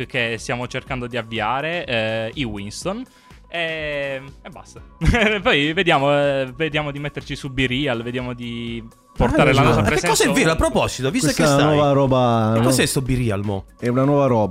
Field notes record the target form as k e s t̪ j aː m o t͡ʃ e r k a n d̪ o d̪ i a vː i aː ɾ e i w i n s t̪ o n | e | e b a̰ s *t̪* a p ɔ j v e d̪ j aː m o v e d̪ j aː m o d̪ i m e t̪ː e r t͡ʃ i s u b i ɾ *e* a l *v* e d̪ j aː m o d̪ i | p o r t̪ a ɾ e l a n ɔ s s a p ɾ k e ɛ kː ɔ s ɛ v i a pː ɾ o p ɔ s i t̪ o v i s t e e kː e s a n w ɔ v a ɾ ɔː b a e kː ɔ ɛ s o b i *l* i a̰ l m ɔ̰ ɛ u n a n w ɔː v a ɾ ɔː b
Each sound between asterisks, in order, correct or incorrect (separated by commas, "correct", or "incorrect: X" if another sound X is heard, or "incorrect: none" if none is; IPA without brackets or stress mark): correct, incorrect: i, correct, incorrect: ɾ